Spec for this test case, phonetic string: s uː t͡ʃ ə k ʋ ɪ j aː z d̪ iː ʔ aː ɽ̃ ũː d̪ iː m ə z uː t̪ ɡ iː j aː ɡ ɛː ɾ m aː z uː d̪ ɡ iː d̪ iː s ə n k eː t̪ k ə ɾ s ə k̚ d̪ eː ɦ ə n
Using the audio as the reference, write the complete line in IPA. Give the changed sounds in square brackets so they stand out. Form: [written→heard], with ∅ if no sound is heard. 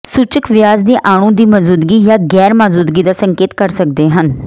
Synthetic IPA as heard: s uː t͡ʃ ə k ʋ ɪ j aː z d̪ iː ʔ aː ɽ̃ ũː d̪ iː m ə z uː [t̪→d̪] ɡ iː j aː ɡ ɛː ɾ m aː z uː d̪ ɡ iː d̪ [iː→aː] s ə [n→ŋ] k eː t̪ k ə ɾ s ə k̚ d̪ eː ɦ ə n